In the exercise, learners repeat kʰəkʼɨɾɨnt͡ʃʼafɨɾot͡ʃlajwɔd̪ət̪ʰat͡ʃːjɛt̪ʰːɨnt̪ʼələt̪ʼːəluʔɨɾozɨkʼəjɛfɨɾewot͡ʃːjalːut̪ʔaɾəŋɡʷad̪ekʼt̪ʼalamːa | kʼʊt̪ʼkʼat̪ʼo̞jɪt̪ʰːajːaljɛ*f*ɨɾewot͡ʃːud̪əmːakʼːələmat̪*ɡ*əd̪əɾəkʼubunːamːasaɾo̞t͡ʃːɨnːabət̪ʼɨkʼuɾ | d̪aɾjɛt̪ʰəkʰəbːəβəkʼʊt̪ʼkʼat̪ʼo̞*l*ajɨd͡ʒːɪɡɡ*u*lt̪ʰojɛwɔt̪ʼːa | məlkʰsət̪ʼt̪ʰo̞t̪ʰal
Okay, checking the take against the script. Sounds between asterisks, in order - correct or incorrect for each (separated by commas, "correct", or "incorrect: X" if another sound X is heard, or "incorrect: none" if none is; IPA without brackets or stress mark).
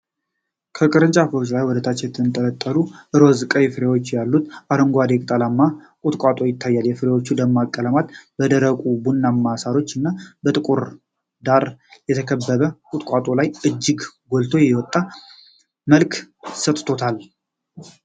correct, incorrect: b, correct, incorrect: o